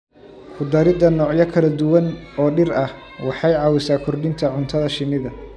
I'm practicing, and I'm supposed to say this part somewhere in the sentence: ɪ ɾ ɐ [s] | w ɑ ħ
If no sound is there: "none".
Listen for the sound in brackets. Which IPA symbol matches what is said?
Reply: h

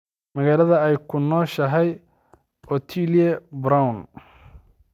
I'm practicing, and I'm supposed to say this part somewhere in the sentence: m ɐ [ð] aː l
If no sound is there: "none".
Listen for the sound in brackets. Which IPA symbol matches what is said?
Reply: ɣ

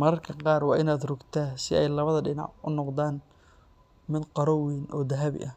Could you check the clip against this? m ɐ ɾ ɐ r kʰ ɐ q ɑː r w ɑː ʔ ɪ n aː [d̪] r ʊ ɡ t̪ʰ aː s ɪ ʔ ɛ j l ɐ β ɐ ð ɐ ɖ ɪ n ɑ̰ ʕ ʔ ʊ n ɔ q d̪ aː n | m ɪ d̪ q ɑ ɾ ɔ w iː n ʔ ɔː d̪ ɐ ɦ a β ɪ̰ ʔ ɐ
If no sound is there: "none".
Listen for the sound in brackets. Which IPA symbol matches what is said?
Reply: d̪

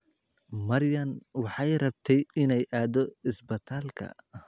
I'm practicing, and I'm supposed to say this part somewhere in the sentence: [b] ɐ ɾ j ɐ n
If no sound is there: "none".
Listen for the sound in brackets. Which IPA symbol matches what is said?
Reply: m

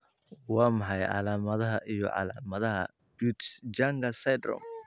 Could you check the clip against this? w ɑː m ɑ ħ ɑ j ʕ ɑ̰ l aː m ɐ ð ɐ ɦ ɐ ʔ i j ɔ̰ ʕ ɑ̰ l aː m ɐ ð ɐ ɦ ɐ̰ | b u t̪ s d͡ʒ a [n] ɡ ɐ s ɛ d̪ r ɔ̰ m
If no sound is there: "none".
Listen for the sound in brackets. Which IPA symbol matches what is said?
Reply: ŋ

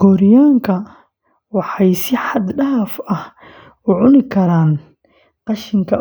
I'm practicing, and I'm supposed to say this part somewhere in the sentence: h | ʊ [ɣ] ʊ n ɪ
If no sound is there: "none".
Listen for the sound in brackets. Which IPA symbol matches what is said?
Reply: ʕ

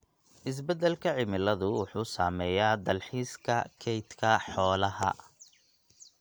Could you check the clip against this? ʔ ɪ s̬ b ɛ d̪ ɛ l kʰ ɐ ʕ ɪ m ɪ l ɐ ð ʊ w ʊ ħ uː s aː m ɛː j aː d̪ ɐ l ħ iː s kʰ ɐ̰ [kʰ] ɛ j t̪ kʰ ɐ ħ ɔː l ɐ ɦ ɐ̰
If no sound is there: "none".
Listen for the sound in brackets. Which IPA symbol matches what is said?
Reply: kʰ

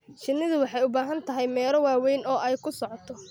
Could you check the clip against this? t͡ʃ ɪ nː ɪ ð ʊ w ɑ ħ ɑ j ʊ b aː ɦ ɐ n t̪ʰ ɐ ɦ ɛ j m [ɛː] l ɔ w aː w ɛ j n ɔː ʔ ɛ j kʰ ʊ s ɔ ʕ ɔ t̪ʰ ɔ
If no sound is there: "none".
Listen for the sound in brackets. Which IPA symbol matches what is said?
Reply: ɛː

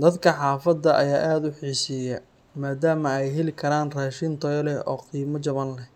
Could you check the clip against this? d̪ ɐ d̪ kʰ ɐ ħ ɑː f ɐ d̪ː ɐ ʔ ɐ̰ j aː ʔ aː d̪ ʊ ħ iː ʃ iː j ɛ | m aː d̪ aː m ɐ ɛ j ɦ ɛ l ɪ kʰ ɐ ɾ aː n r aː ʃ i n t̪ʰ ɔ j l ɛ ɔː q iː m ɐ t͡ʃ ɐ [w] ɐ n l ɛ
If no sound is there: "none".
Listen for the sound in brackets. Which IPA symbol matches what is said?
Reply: β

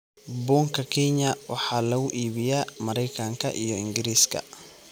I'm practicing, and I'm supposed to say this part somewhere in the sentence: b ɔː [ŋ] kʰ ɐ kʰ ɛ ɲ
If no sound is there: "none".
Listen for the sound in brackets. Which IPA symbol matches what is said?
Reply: ŋ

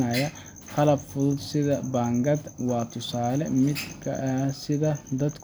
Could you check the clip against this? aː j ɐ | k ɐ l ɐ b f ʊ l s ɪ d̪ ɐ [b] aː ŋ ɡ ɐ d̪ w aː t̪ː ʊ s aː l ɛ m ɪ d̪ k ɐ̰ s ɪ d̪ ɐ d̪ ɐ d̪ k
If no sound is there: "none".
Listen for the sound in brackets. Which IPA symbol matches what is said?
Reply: b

